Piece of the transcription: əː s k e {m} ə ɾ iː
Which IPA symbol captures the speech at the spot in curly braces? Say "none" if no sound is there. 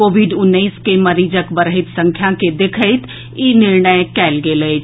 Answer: m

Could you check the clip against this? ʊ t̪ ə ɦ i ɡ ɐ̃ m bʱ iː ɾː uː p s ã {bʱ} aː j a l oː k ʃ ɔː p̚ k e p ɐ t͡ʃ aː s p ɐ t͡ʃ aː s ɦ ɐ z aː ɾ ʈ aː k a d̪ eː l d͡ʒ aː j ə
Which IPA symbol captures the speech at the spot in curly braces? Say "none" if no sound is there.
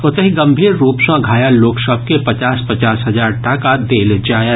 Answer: ɡʱ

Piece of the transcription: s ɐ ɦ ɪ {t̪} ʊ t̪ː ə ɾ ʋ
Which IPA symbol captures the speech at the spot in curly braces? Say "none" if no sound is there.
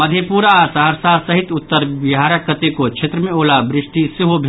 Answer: t̪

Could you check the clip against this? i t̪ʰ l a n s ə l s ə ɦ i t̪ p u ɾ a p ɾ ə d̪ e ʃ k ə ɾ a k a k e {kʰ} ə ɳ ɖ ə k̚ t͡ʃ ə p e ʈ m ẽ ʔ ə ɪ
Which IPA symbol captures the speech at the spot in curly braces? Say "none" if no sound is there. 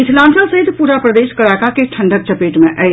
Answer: ʈʰ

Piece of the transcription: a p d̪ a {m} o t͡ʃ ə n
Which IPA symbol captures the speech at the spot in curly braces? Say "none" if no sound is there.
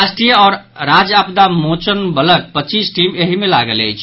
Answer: m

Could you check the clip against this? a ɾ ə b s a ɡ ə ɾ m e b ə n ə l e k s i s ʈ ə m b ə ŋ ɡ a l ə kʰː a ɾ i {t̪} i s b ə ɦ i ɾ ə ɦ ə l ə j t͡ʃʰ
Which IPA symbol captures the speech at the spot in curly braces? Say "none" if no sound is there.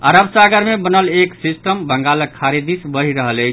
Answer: d̪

